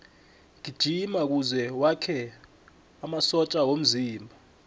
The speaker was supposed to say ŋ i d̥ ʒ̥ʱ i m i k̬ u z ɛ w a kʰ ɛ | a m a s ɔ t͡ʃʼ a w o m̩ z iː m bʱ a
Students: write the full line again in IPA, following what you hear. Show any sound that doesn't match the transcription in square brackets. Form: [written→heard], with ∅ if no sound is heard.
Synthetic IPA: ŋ i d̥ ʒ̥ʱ i m [i→a] k̬ u z ɛ w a kʰ ɛ | a m a s ɔ t͡ʃʼ a w o m̩ z iː m bʱ a